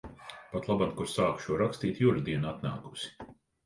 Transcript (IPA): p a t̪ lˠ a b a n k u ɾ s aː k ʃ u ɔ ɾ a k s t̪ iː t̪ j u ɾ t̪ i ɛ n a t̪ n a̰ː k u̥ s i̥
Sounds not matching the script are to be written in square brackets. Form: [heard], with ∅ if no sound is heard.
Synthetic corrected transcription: p a t̪ lˠ a b a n k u ɾ s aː k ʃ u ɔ ɾ a k s t̪ iː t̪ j u ɾ [d̪] i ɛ n a t̪ n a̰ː k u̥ s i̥